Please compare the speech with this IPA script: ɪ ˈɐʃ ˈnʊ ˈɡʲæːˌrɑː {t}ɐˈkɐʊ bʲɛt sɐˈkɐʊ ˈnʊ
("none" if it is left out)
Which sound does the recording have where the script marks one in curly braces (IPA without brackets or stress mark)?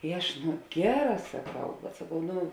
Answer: s